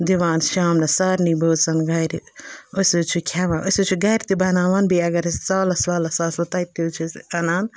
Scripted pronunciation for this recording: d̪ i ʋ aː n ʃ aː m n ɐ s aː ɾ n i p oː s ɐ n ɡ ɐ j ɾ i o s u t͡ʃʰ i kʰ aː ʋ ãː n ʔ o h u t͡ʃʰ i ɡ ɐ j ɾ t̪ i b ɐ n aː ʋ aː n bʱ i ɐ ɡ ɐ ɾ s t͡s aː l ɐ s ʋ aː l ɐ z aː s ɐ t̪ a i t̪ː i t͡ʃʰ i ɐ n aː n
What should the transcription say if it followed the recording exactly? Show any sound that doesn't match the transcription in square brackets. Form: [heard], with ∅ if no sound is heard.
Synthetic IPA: d̪ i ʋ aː n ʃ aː m n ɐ s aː ɾ n i [b] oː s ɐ n ɡ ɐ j ɾ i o s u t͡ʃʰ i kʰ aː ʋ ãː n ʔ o [s] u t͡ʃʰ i ɡ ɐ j ɾ t̪ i b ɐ n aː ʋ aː n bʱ i ɐ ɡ ɐ ɾ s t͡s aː l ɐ s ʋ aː l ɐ [s] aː s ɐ t̪ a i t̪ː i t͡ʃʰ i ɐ n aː n